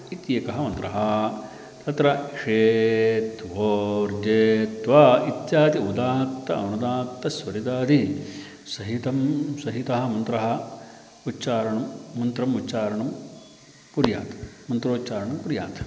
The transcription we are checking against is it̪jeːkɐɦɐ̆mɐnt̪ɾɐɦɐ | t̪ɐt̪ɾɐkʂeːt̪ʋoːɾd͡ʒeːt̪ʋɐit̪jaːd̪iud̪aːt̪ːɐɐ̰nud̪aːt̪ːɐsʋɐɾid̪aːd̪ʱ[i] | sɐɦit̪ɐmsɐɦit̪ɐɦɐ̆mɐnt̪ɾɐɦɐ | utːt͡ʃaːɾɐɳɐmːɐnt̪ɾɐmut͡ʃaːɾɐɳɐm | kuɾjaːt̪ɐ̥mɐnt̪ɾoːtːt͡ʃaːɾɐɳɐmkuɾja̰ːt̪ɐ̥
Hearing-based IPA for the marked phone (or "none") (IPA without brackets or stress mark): i